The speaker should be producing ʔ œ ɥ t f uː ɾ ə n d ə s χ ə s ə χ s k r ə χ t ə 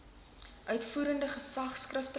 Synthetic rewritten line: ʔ œ ɥ t f uː ɾ ə n d ə χ ə s ɐ χ s k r ə f t ə